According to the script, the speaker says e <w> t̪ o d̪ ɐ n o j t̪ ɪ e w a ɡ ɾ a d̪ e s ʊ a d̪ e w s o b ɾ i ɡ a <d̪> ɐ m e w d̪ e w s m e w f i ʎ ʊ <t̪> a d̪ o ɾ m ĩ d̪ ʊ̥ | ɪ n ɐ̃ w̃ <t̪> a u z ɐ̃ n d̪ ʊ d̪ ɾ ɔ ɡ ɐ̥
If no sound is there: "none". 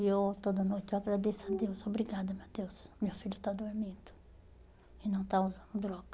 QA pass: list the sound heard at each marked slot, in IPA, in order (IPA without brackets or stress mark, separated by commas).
w, d̪, t̪, t̪